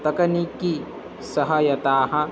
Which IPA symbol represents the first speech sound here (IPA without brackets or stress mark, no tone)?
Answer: t̪